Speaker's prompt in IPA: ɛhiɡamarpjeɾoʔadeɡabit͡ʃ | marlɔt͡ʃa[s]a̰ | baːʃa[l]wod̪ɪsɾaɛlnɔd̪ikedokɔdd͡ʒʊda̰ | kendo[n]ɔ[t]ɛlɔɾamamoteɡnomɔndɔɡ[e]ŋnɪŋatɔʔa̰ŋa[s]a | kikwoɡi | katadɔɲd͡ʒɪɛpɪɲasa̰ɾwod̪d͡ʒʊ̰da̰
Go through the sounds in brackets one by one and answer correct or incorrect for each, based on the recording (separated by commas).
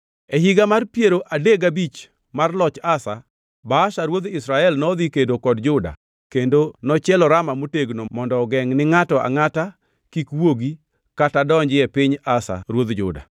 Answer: correct, incorrect, correct, incorrect, incorrect, incorrect